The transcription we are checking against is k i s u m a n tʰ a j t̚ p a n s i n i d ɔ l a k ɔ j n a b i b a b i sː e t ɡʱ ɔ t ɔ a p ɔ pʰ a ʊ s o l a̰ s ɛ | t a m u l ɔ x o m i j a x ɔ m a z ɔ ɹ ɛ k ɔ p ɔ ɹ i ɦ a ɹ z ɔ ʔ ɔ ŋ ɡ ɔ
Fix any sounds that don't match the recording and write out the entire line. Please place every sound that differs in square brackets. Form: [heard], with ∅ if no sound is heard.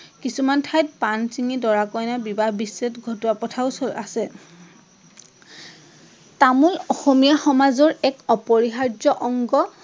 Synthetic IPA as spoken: k i s u m a n tʰ a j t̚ p a n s i [ŋ] i d ɔ [ɹ] a k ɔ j n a b i b a b i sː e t ɡʱ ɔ t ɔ a p ɔ [tʰ] a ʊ s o l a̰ s ɛ | t a m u l ɔ x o m i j a x ɔ m a z ɔ ɹ ɛ k ɔ p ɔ ɹ i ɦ a ɹ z ɔ ʔ ɔ ŋ ɡ ɔ